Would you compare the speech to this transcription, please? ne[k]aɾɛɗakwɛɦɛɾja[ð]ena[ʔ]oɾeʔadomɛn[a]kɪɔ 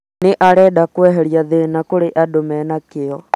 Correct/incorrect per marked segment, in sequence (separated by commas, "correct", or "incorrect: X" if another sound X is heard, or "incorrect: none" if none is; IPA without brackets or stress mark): incorrect: ʔ, correct, incorrect: k, correct